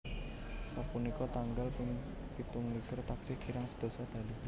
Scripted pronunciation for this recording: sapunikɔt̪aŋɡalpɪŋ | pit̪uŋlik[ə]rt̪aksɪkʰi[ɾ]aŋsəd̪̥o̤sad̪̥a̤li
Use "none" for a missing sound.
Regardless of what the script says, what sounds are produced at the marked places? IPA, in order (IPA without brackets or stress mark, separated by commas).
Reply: ə, ɾ